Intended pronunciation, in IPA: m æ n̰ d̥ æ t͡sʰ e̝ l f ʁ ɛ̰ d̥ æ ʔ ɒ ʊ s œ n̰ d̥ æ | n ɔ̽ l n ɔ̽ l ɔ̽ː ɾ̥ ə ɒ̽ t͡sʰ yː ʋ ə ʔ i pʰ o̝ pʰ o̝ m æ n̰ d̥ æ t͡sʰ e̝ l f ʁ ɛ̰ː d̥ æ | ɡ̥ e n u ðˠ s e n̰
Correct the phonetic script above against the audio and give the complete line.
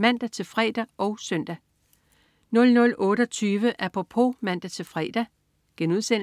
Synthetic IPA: m æ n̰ d̥ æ t͡sʰ e̝ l f ʁ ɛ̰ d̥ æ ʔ ɒ ʊ s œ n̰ d̥ æ | n ɔ̽ l n ɔ̽ l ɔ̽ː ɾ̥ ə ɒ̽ t͡sʰ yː ʋ ə ʔ æ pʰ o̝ pʰ o̝ m æ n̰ d̥ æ t͡sʰ e̝ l f ʁ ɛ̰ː d̥ æ | ɡ̥ e n u ðˠ s e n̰